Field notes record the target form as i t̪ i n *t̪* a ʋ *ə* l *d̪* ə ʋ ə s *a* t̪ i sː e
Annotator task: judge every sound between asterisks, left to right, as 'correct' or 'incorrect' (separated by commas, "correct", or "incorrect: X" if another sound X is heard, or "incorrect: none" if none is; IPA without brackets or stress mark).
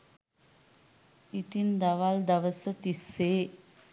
incorrect: d̪, incorrect: a, correct, incorrect: ə